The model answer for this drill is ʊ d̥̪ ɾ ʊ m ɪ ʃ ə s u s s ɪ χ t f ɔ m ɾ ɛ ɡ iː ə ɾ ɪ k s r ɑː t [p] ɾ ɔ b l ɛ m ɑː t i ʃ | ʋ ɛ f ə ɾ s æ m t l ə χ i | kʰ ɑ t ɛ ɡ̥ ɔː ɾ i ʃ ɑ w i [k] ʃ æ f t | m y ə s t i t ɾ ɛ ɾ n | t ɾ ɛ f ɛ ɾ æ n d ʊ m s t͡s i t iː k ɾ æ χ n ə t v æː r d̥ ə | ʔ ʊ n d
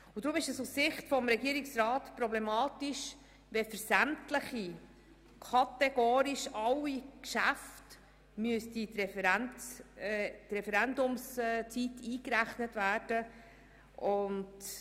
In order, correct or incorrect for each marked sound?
correct, correct

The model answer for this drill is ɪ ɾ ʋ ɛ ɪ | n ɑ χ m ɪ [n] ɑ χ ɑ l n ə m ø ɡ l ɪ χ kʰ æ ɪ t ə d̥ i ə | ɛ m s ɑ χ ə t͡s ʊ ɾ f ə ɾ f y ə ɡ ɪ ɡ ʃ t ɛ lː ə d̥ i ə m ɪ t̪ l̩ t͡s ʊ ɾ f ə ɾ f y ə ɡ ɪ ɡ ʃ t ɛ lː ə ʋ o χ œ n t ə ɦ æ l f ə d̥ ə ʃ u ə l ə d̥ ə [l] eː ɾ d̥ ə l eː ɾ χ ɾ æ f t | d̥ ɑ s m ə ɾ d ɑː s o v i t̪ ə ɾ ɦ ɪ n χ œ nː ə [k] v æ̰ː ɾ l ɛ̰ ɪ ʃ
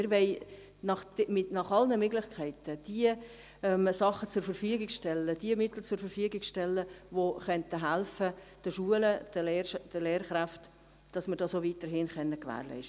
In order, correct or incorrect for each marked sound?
correct, correct, correct

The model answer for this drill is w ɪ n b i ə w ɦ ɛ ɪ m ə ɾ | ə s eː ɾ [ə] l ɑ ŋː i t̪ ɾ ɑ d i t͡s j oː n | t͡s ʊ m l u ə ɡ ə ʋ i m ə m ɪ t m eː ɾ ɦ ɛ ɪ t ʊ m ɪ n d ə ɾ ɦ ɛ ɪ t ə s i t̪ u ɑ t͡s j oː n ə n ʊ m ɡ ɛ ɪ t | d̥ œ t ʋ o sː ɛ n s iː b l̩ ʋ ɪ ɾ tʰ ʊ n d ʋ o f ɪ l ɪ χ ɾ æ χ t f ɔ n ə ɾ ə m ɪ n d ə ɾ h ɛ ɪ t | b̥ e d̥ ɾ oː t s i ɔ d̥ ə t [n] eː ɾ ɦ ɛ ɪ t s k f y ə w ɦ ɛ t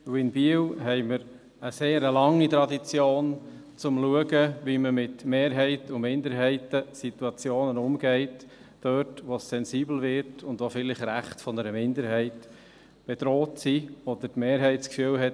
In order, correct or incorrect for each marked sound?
correct, incorrect

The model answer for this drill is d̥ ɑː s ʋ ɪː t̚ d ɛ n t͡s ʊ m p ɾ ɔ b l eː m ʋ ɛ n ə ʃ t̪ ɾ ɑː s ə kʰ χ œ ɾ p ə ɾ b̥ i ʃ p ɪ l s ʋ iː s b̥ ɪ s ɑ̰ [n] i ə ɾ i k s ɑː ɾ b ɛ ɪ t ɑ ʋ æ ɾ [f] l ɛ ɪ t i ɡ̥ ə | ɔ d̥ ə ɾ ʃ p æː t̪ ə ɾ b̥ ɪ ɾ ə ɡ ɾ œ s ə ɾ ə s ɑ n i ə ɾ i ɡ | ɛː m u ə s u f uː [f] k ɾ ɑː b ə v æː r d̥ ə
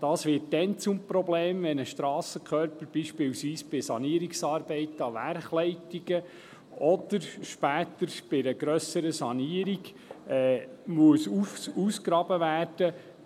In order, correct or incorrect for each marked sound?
correct, incorrect, incorrect

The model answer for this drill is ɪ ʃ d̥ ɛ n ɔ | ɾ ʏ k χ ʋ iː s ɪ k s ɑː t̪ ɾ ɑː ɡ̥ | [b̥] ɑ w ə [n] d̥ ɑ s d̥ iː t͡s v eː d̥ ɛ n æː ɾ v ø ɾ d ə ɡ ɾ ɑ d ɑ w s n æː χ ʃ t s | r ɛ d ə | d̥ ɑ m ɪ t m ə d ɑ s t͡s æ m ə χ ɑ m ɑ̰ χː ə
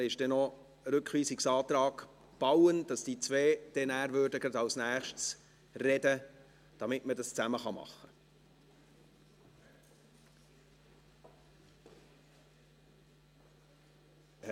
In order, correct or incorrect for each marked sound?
correct, correct

